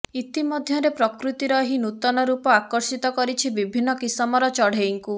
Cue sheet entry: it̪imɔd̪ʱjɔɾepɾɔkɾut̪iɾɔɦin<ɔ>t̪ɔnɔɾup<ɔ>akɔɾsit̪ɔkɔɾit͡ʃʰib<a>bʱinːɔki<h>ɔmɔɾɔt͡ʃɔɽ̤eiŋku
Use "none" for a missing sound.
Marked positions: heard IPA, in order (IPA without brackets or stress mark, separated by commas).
u, ɔ, i, s